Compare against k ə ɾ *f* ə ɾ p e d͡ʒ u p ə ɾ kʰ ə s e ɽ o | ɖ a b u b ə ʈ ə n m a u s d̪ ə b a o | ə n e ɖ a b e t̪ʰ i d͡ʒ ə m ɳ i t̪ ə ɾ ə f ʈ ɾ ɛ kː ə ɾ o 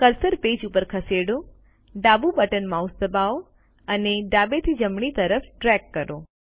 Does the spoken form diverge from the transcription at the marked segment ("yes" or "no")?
yes